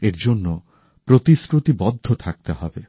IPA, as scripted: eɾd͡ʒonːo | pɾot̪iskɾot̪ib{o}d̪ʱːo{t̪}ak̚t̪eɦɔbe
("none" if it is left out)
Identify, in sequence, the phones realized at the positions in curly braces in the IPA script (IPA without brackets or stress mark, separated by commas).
ɔ, t̪ʰ